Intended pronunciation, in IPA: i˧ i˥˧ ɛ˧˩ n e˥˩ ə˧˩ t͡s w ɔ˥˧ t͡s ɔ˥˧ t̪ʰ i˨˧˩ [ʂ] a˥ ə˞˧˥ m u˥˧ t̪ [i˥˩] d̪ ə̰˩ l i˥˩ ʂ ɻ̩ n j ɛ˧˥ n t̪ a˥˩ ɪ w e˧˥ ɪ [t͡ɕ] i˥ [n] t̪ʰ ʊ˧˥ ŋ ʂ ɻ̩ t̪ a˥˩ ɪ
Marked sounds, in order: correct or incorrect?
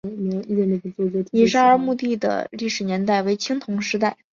correct, correct, incorrect, incorrect

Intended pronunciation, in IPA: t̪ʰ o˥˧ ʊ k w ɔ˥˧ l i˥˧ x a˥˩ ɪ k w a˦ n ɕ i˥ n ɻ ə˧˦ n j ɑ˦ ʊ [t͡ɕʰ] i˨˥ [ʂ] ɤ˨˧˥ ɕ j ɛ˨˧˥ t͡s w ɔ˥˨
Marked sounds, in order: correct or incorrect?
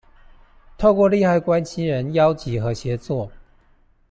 incorrect, incorrect

